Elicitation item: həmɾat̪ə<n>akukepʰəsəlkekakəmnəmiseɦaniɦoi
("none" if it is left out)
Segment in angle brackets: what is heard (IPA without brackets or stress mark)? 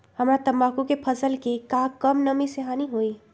m